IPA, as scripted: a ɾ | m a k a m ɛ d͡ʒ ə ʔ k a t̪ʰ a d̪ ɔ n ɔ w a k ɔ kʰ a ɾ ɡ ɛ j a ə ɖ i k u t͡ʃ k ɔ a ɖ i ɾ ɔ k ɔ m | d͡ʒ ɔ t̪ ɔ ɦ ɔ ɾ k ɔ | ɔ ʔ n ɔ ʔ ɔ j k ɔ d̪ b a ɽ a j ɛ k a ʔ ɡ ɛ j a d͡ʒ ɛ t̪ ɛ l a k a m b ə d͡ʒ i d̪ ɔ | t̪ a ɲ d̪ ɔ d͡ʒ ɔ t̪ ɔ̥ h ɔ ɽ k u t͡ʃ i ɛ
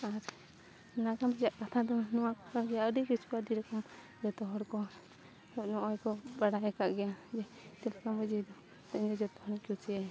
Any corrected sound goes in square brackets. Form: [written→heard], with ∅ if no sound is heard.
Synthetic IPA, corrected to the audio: a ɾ | [m→n] a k a m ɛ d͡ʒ [ə→a] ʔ k a t̪ʰ a d̪ ɔ n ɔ w a k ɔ [kʰ→k] a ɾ ɡ ɛ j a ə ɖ i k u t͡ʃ k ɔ a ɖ i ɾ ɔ k ɔ m | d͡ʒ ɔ t̪ ɔ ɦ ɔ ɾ k ɔ | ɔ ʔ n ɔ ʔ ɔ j k ɔ [d̪→∅] b a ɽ a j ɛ k a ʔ ɡ ɛ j a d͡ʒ ɛ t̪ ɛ l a k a m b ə d͡ʒ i d̪ ɔ | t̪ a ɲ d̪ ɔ d͡ʒ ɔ t̪ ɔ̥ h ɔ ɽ k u t͡ʃ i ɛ